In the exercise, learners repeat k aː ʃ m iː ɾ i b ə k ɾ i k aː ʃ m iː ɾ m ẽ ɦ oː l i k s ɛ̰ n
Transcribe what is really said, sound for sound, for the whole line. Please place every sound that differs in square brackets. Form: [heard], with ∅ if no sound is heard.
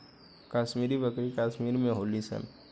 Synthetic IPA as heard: k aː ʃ m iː ɾ i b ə k ɾ i k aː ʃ m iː ɾ m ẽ ɦ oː l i [∅] s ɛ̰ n